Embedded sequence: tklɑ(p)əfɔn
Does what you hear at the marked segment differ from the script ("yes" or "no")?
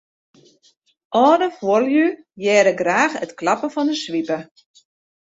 no